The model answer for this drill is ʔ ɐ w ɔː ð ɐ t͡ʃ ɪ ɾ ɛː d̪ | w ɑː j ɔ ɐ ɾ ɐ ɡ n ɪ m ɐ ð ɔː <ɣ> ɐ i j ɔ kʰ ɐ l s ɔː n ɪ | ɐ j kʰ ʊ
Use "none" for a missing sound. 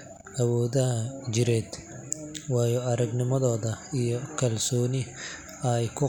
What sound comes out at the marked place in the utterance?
ð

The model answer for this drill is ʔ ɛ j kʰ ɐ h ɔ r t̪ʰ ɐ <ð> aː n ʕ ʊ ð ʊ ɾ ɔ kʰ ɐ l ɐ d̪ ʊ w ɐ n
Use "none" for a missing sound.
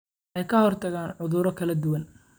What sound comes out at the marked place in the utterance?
ɣ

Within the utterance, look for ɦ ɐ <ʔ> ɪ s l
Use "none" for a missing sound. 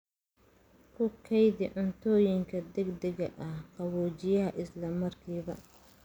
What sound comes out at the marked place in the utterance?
ʔ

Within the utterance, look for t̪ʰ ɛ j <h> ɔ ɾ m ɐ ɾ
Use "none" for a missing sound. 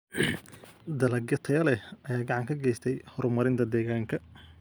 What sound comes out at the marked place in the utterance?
h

